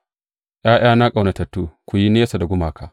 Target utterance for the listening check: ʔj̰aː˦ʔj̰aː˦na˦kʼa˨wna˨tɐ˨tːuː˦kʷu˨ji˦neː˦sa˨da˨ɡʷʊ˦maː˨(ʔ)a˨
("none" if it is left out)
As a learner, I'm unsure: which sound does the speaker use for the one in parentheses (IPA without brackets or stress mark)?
k